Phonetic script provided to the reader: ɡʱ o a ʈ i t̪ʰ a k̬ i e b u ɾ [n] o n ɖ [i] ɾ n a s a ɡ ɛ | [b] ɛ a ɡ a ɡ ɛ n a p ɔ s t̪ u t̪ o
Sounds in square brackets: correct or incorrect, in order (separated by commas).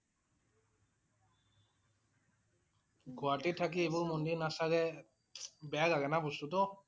incorrect, correct, correct